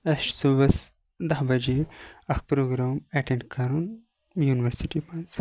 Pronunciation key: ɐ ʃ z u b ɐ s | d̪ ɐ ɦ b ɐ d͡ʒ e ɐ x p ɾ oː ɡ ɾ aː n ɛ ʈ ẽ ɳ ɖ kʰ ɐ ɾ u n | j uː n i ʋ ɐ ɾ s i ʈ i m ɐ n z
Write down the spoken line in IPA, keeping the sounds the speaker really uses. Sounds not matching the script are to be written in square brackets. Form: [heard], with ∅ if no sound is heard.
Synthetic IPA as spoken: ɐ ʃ [s] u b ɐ s | d̪ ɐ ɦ b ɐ d͡ʒ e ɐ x p ɾ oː ɡ ɾ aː [m] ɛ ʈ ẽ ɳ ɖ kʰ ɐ ɾ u n | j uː n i ʋ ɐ ɾ s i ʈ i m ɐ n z

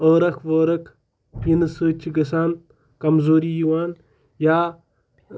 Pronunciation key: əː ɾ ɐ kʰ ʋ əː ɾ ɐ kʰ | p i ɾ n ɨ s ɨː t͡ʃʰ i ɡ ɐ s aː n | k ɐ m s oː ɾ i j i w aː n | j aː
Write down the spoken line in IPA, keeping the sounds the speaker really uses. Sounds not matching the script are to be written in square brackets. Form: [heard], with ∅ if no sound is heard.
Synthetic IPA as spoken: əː ɾ ɐ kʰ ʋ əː ɾ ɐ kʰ | p i [∅] n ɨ s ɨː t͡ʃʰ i ɡ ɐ s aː n | k ɐ m [z] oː ɾ i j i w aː n | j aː

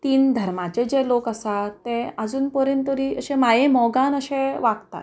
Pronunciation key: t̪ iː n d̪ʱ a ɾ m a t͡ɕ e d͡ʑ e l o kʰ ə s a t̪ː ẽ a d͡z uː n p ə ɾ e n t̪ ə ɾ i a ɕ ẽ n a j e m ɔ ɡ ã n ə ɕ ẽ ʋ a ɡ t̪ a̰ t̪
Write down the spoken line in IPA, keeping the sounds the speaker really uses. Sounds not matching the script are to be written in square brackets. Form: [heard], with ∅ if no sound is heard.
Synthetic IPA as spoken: t̪ iː n d̪ʱ [ə] ɾ m a t͡ɕ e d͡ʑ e l o [k] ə s a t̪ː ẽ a d͡z uː n p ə ɾ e n t̪ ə ɾ i [ə] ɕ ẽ [m] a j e m ɔ ɡ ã n ə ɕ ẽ ʋ a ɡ t̪ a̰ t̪

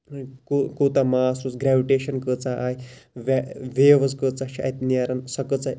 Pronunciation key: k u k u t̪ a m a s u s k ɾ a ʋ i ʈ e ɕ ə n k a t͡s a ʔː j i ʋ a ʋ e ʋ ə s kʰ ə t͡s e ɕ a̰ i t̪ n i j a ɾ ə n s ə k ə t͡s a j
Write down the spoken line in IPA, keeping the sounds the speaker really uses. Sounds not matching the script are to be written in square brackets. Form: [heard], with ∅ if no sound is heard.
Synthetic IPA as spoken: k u k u t̪ a m a s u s [ɡ] ɾ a ʋ i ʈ e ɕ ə n k [ə] t͡s a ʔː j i ʋ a ʋ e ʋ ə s [k] ə t͡s [a] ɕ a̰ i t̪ n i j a ɾ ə n s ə k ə t͡s a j

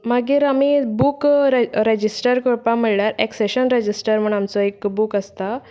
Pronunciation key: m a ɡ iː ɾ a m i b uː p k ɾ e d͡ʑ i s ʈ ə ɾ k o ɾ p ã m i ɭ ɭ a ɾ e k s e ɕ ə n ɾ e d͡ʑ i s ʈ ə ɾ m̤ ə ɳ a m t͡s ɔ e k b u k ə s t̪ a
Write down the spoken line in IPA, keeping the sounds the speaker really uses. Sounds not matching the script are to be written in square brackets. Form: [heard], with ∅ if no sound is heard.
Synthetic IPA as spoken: m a ɡ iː ɾ a m i b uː [∅] k ɾ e d͡ʑ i s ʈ ə ɾ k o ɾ p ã m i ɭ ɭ a ɾ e k s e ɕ ə n ɾ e d͡ʑ i s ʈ ə ɾ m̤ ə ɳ a m t͡s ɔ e k b u k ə s t̪ a

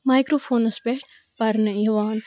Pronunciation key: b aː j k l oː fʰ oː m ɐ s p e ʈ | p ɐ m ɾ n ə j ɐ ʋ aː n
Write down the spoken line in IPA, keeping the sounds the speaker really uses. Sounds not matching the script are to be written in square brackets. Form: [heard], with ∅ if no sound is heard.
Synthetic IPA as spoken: [m] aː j k [ɾ] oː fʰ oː [n] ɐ s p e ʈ | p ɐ [∅] ɾ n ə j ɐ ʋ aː n

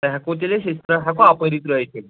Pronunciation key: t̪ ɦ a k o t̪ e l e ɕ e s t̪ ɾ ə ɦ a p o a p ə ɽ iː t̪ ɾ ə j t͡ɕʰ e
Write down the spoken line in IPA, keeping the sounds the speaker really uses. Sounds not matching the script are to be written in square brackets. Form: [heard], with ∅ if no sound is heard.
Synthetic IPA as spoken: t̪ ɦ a k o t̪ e l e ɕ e s t̪ ɾ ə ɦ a [k] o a p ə [ɾ] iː t̪ ɾ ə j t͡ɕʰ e

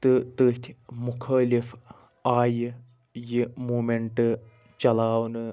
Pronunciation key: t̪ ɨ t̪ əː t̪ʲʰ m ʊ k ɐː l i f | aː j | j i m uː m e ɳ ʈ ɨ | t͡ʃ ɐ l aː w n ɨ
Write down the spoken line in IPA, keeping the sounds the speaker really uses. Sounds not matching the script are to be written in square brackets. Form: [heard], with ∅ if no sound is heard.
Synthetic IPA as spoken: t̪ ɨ t̪ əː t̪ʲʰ m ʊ [kʰ] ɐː l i f | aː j | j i m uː m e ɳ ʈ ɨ | t͡ʃ ɐ l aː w n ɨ

